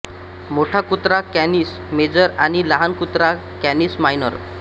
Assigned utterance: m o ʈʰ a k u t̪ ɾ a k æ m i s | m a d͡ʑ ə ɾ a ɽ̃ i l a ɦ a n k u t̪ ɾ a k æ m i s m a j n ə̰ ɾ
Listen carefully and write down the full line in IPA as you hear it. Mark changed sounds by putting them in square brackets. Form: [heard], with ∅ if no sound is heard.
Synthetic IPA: m o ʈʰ a k u t̪ ɾ a k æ [n] i s | m [e] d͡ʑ ə ɾ a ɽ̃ i l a ɦ a n k u t̪ ɾ a k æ [n] i s m a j n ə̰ ɾ